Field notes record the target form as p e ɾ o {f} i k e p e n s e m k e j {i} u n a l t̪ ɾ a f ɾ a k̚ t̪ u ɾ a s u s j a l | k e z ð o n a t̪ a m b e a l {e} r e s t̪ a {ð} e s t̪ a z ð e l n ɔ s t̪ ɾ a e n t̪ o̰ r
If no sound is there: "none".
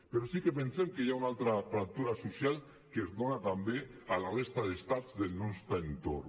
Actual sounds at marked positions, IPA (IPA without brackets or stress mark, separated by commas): s, a, a, ð